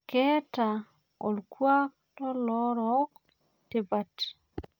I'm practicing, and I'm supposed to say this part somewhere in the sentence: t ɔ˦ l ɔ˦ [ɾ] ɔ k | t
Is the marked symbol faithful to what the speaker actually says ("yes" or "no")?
yes